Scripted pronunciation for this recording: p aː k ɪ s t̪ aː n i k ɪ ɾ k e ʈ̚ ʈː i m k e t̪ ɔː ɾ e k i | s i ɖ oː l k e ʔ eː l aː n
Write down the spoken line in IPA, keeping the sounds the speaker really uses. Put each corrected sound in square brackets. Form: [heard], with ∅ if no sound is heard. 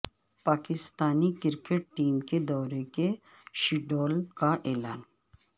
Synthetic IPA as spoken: p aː k ɪ s t̪ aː n i k ɪ ɾ k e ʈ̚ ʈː [iː] m k e [d̪] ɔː ɾ e k [e] | [ʃ] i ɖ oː l k [a] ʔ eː l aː n